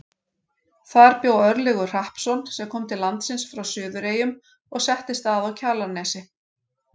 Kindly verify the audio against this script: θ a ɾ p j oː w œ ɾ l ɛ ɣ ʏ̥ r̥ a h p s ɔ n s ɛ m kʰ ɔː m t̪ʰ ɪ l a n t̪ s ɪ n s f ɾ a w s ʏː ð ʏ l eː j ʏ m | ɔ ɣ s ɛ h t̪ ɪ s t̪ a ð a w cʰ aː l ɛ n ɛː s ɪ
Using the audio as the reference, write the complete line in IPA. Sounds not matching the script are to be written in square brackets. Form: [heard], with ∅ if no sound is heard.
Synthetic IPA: θ a ɾ p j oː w œ ɾ l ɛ ɣ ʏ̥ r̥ a h p s ɔ n s ɛ m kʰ ɔː m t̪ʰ ɪ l a n t̪ s ɪ n s f ɾ a w s ʏː ð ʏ [ɾ] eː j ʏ m | ɔ ɣ s ɛ h t̪ ɪ s t̪ a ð a w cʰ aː l [a] n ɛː s ɪ